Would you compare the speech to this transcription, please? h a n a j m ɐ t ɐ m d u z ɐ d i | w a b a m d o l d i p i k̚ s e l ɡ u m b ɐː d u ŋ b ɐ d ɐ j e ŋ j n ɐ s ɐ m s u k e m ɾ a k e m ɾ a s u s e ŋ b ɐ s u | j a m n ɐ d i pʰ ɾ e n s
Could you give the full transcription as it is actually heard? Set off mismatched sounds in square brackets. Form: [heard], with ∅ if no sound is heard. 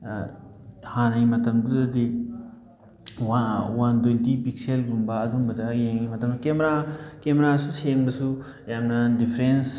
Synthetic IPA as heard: h a n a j m ɐ t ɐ m d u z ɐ d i | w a [w] a [n] d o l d i p i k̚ s e l ɡ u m b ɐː d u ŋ b ɐ d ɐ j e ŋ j [m] ɐ [t] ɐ m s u k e m ɾ a k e m ɾ a s u s e ŋ b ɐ s u | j a m n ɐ d i pʰ ɾ e n s